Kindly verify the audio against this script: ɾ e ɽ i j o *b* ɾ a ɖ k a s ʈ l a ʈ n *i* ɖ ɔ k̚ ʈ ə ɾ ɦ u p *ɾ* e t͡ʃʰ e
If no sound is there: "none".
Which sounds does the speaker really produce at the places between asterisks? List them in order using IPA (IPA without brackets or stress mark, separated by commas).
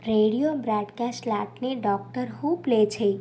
b, e, l